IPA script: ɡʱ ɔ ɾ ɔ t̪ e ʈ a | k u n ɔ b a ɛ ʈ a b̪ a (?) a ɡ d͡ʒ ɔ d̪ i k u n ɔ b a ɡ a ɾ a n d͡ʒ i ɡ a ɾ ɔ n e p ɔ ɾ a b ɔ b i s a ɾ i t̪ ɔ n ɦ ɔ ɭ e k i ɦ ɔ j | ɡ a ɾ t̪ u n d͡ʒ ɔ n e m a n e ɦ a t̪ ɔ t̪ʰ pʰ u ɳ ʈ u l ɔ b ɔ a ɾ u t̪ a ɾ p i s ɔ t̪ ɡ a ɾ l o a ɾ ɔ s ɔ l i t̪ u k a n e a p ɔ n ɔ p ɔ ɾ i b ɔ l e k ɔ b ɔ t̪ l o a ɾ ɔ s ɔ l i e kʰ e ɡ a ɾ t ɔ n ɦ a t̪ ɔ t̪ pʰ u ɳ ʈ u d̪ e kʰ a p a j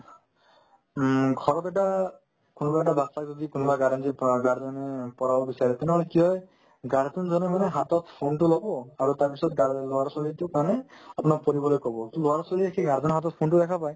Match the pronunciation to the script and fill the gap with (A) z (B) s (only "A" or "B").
B